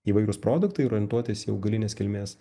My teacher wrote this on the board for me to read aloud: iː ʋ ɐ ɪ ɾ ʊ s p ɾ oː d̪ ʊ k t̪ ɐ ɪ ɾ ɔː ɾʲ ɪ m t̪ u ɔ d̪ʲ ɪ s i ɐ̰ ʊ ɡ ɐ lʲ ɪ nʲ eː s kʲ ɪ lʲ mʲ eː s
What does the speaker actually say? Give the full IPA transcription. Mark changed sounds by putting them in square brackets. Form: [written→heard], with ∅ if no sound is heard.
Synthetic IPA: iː ʋ ɐ ɪ ɾ ʊ s p ɾ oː d̪ ʊ k t̪ ɐ ɪ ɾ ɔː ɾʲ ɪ [m→n] t̪ u ɔ [d̪ʲ→t̪ʲ] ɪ s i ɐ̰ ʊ ɡ ɐ lʲ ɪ nʲ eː s kʲ ɪ lʲ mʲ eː s